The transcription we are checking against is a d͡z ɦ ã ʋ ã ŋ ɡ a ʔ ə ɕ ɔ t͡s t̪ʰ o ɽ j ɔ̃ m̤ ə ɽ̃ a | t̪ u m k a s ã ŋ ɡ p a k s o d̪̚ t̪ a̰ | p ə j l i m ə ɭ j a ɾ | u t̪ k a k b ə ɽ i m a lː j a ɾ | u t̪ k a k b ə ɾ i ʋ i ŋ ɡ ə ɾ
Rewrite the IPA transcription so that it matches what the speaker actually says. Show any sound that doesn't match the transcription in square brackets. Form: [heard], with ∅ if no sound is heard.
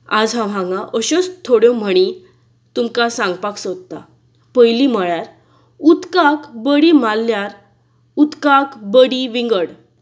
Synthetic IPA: a d͡z ɦ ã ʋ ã ŋ ɡ a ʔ ə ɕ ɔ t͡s t̪ʰ o ɽ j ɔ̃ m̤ ə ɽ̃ [i] | t̪ u m k a s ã ŋ ɡ p a k s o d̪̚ t̪ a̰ | p ə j l i m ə ɭ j a ɾ | u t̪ k a k b ə ɽ i m a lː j a ɾ | u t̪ k a k b ə [ɽ] i ʋ i ŋ ɡ ə [ɽ]